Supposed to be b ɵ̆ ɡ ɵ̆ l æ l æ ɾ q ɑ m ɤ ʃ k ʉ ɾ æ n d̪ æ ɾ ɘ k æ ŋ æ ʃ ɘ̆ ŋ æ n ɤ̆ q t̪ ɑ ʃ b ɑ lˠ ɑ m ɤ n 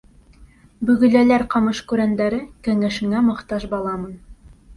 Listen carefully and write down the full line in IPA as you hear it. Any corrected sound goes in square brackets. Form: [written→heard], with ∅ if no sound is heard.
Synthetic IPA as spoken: b ɵ̆ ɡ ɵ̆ l æ l æ ɾ q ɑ m ɤ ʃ k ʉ ɾ æ n d̪ æ ɾ ɘ k æ ŋ æ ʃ ɘ̆ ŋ æ [n→m] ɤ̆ q t̪ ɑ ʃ b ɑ lˠ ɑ m ɤ n